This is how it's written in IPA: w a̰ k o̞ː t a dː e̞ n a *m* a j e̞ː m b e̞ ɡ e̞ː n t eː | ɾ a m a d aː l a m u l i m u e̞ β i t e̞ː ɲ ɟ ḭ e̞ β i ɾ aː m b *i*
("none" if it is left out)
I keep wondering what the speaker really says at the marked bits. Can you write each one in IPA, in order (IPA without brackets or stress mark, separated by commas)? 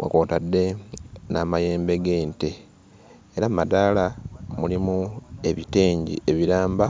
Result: m, a